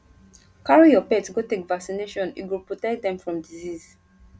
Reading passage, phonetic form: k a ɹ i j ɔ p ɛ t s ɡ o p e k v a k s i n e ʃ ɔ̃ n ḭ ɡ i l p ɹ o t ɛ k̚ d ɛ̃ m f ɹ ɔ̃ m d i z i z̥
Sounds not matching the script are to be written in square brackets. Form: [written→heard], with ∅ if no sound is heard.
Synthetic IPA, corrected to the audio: k a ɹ i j ɔ p ɛ t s ɡ o [p→t] e k v a k s i n e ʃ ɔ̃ n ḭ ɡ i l p ɹ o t ɛ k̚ d ɛ̃ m f ɹ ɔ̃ m d i z i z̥